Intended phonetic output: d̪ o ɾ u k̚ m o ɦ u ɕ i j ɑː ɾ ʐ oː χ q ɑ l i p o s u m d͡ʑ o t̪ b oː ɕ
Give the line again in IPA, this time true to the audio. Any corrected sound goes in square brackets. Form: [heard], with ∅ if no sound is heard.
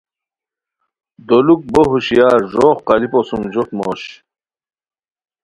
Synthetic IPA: d̪ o [l] u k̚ [b] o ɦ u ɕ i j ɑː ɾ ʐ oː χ q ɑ l i p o s u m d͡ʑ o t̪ [m] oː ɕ